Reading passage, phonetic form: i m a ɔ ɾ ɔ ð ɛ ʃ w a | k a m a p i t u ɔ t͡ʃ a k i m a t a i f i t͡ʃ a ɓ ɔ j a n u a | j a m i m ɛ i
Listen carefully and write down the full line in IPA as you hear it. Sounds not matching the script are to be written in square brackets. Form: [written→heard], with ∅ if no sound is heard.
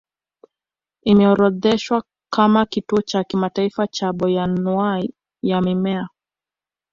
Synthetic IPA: i m [a→ɛ] ɔ ɾ ɔ ð ɛ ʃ w a | k a m a [p→k] i t u ɔ t͡ʃ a k i m a t a i f [i→a] t͡ʃ a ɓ ɔ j a n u a | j a m i m ɛ [i→a]